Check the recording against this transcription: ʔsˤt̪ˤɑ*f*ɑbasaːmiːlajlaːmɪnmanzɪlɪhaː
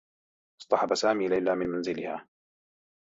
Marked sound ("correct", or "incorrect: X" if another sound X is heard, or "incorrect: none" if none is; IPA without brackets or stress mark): incorrect: ħ